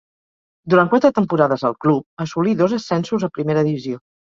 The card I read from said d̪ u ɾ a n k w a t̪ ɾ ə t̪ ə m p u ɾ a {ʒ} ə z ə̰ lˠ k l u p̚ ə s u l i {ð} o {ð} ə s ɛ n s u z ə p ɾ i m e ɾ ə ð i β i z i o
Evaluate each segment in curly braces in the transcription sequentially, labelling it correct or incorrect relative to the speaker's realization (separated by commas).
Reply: incorrect, correct, incorrect